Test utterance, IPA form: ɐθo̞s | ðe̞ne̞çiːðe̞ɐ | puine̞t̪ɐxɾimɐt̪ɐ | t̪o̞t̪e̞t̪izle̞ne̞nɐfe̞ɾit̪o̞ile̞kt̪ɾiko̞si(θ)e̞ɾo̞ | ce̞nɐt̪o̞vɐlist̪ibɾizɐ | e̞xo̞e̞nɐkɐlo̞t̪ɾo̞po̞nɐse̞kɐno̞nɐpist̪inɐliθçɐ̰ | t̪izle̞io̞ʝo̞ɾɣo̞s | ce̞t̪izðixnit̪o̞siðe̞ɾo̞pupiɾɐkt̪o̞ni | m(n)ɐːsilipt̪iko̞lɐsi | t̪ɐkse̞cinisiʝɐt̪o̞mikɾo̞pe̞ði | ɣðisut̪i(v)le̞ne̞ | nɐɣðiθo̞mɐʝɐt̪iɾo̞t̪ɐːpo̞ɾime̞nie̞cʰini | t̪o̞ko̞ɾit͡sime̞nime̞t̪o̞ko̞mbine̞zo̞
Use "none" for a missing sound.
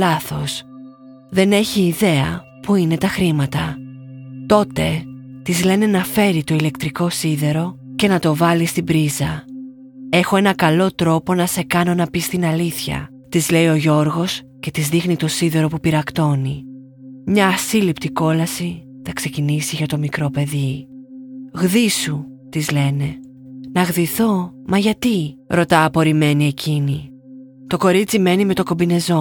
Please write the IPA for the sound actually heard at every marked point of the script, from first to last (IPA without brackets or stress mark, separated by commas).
ð, ɲ, z